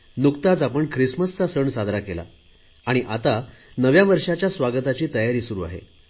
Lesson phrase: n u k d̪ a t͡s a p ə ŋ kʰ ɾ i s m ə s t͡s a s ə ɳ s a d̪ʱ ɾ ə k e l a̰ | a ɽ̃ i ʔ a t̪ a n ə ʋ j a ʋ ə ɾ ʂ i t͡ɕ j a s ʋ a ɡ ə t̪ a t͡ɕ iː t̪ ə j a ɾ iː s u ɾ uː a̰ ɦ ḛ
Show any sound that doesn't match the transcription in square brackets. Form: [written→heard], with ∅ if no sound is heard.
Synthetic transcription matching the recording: n u k [d̪→t̪] a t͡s a p ə [ŋ→ɳ] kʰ ɾ i s m ə s t͡s a s ə ɳ s a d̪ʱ ɾ [ə→a] k e l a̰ | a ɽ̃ i ʔ a t̪ a n ə ʋ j a ʋ ə ɾ ʂ [i→a] t͡ɕ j a s ʋ a ɡ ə t̪ a t͡ɕ iː t̪ ə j a ɾ iː s u ɾ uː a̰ ɦ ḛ